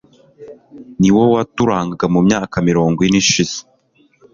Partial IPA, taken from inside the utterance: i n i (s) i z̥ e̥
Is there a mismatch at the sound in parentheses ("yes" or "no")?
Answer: yes